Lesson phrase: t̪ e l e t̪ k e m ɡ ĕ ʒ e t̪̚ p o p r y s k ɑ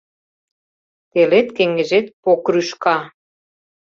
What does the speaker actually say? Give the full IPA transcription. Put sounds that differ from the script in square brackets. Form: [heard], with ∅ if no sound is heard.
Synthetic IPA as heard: t̪ e l e t̪ k e [ŋ] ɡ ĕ ʒ e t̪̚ p o [k] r y [ʃ] k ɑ

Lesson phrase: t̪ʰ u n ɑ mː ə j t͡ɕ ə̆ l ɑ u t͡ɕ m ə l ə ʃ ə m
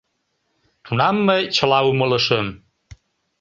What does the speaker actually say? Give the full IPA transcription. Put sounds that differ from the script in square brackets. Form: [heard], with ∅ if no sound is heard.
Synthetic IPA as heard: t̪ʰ u n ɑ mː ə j t͡ɕ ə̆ l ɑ u [∅] m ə l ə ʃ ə m

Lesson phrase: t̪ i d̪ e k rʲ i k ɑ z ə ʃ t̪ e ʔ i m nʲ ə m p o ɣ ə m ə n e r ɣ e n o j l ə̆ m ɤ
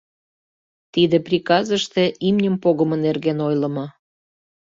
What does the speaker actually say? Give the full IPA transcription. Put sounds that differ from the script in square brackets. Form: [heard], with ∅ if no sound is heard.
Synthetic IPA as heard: t̪ i d̪ e [p] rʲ i k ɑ z ə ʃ t̪ e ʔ i m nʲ ə m p o ɣ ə m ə n e r ɣ e n o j l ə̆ m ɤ

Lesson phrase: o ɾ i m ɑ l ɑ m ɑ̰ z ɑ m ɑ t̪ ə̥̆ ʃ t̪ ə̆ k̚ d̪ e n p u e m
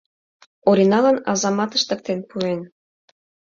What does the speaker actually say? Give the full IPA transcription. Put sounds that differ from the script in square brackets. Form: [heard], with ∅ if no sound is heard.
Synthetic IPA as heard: o ɾ i [n] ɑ l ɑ [n] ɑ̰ z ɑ m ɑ t̪ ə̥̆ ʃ t̪ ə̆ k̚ [t̪] e n p u e [n]

